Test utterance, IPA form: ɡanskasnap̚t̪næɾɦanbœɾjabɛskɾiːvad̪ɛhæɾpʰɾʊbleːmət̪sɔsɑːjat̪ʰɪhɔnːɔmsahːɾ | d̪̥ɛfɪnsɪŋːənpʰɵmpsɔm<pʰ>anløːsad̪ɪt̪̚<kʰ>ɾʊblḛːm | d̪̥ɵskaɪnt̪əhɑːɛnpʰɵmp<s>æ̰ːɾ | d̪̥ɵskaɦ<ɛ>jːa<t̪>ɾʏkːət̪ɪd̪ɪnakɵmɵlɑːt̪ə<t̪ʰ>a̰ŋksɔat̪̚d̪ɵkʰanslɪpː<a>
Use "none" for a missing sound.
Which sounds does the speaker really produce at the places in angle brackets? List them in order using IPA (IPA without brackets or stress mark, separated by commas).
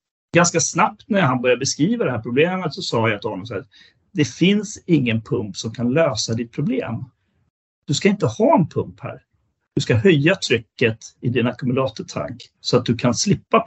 kʰ, pʰ, h, œ, t̪ʰ, t̪ʰ, a